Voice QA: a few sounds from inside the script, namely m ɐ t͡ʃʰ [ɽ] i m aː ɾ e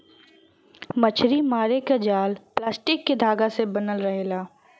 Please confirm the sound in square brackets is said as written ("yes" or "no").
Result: no